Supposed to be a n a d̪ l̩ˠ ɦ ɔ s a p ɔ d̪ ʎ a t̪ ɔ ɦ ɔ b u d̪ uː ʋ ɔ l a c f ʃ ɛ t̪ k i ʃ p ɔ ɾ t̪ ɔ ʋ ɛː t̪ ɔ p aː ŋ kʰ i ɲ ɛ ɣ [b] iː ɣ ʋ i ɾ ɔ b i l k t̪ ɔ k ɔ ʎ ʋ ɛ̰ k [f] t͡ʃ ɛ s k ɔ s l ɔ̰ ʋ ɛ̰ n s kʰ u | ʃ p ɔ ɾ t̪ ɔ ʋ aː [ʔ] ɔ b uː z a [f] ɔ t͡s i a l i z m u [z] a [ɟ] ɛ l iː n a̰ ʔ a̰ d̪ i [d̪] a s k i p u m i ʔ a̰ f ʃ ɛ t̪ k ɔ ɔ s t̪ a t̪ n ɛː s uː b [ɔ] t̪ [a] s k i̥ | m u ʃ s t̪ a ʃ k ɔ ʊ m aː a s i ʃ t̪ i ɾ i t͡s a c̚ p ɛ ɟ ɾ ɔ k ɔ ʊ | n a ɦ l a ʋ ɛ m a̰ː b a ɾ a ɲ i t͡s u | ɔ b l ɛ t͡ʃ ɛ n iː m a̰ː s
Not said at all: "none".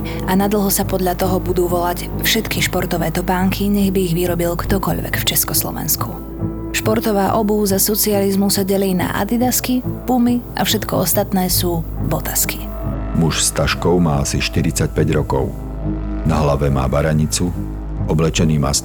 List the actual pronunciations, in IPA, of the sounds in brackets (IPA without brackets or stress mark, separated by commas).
b, f, ʔ, s, s, ɟ, d̪, ɔ, a